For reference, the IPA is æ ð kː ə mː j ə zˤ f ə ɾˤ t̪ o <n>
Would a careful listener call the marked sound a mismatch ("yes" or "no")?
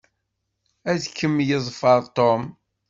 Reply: yes